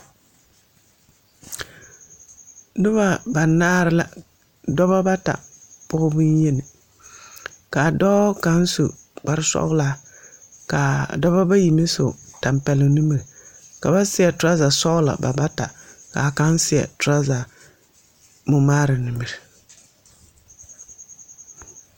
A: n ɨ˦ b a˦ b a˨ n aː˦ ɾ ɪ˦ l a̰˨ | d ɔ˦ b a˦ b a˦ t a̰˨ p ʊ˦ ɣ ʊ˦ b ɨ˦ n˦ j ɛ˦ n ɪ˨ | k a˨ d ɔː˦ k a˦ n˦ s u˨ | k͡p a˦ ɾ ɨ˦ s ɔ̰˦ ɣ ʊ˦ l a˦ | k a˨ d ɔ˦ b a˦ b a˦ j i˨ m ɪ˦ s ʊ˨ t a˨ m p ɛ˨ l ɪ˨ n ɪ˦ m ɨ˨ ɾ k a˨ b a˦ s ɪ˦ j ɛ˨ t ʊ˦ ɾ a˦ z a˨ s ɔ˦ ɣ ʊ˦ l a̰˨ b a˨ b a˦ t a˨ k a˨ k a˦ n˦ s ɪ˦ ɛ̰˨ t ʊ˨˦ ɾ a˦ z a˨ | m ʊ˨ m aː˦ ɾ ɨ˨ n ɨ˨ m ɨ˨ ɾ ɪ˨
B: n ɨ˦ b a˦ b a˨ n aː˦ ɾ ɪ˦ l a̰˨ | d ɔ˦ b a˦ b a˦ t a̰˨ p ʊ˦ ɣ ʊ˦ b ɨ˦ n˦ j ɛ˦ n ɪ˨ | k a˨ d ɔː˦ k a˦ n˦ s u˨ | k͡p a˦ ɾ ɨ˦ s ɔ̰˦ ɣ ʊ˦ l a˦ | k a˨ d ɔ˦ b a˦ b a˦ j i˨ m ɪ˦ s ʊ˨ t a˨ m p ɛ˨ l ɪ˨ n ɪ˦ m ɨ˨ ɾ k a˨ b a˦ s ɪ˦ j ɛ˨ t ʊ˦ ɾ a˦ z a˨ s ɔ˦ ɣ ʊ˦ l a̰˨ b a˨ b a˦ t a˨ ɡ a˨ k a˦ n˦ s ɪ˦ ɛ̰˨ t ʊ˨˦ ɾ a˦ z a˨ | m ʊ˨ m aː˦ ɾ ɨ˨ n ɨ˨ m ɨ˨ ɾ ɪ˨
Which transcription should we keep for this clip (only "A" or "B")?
A